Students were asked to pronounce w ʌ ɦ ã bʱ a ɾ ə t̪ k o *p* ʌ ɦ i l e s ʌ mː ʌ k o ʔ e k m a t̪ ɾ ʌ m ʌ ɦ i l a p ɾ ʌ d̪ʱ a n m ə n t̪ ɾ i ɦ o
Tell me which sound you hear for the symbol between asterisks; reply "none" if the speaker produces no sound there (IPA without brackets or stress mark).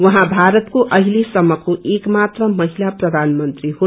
ʔ